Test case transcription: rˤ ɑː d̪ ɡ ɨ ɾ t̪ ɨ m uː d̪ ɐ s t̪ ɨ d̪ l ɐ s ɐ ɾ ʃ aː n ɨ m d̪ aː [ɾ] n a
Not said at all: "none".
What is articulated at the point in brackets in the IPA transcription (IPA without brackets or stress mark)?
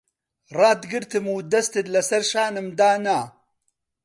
none